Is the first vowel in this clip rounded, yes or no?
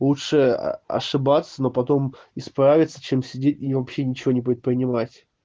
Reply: yes